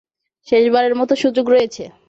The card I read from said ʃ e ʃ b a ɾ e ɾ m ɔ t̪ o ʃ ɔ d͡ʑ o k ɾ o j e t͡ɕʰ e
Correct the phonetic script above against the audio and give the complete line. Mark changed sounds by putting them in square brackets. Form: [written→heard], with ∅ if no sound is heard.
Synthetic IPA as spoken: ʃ e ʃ b a ɾ e ɾ m ɔ t̪ o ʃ [ɔ→u] d͡ʑ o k ɾ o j e t͡ɕʰ e